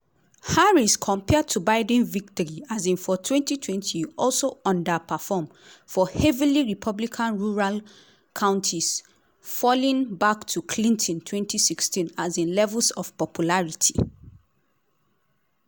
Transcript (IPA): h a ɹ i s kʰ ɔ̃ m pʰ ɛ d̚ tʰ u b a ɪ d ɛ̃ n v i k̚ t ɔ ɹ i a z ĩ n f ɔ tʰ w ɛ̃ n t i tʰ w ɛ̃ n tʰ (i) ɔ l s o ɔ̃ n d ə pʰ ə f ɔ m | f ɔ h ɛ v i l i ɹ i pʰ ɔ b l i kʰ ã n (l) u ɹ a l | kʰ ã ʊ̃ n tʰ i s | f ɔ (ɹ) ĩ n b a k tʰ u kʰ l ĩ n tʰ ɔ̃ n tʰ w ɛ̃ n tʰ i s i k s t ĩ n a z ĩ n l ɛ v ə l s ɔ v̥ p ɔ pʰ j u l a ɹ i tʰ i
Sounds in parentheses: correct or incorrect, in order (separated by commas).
correct, incorrect, incorrect